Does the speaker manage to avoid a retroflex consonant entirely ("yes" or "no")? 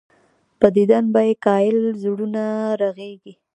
no